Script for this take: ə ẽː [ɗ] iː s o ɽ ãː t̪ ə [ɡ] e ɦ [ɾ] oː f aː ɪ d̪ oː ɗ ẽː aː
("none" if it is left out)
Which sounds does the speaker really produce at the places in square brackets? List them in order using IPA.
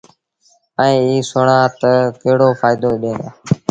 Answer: none, k, ɽ

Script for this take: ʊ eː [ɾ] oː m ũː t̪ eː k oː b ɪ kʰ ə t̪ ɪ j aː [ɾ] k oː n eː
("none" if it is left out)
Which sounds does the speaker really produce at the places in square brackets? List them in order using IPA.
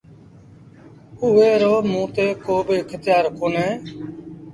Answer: ɾ, ɾ

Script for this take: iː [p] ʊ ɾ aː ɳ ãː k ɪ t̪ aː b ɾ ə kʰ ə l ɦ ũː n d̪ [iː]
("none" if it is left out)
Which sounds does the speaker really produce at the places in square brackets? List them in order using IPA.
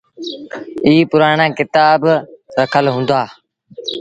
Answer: p, aː

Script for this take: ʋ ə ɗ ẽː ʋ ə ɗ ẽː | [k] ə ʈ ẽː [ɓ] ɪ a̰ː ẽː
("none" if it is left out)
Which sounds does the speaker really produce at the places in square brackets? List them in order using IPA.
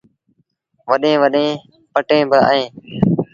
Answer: p, b

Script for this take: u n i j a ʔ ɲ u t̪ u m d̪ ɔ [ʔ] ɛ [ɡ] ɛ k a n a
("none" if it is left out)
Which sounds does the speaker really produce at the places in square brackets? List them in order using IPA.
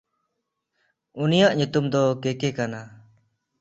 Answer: k, k

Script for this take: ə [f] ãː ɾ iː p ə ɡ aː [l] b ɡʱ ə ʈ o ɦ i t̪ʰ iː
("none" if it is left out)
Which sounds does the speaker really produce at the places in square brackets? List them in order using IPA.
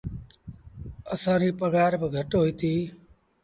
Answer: s, ɾ

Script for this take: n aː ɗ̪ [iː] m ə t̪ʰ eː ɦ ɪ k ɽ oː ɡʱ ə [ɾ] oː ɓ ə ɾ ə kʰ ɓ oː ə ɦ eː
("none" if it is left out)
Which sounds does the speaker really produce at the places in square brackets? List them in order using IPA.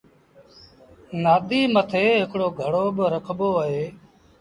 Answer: iː, ɽ

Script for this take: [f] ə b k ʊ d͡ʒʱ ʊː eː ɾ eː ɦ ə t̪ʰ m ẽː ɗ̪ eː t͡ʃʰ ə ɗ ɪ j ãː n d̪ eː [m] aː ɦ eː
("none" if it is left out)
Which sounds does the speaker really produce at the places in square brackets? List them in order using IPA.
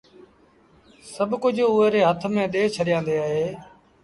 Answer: s, none

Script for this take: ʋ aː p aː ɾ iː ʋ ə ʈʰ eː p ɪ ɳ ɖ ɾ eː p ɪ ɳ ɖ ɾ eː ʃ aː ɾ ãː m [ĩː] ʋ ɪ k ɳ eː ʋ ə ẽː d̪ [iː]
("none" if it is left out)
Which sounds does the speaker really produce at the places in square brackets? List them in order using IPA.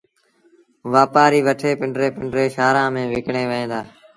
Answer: ẽː, aː

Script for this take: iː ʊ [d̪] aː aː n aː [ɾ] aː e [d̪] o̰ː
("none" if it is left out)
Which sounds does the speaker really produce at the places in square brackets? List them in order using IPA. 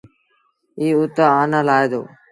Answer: t̪, l, d̪

